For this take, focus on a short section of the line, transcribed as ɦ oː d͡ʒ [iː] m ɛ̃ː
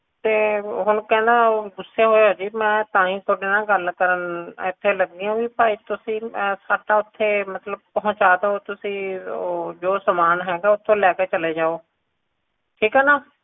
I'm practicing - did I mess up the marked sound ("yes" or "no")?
no